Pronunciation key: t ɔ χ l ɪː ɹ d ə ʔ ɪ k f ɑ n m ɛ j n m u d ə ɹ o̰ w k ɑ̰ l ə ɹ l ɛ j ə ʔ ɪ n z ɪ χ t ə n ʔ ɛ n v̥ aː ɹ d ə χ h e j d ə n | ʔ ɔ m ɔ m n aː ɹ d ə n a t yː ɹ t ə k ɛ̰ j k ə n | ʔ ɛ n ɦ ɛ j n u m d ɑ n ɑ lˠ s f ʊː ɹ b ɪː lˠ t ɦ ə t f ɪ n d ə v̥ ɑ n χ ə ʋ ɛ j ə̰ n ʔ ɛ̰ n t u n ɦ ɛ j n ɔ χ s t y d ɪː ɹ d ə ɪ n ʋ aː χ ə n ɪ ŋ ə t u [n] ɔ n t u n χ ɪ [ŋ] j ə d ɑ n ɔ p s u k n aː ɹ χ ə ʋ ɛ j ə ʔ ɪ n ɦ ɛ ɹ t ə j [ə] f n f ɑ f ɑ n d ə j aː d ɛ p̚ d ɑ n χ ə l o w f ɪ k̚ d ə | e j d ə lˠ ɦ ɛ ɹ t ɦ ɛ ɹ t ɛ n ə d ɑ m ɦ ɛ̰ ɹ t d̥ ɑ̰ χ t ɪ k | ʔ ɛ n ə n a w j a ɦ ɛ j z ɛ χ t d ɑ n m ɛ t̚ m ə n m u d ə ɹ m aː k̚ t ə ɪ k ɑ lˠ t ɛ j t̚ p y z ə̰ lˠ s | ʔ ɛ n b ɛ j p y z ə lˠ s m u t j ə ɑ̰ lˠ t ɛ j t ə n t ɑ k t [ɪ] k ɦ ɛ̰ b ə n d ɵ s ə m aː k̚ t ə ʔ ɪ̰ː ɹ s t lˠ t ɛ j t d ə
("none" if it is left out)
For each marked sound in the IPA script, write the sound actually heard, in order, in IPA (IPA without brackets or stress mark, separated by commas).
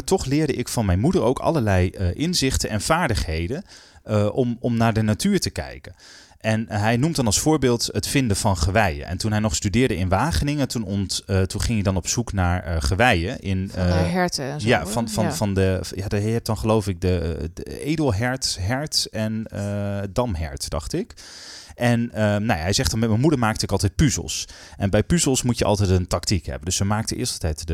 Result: n, ŋ, a, i